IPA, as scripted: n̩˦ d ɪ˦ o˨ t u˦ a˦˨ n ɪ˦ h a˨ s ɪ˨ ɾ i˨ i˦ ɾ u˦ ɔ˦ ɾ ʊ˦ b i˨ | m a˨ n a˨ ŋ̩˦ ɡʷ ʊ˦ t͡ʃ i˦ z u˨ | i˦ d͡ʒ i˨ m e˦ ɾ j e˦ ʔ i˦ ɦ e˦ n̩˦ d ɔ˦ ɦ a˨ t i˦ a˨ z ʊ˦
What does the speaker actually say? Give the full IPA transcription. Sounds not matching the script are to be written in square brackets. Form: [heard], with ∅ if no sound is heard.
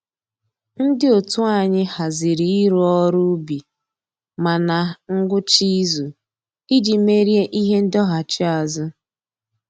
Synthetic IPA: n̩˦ d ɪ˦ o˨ t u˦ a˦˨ [ɲ] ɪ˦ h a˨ [z] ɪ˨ ɾ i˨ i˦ ɾ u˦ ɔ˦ ɾ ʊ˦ b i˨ | m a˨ n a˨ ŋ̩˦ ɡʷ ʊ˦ t͡ʃ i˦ z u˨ | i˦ d͡ʒ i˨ m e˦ ɾ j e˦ ʔ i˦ ɦ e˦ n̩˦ d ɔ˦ ɦ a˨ [t͡ʃ] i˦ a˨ z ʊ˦